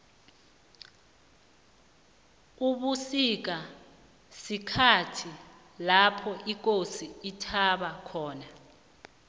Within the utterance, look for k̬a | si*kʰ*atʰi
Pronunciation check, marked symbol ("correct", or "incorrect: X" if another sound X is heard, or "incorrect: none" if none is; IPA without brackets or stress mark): correct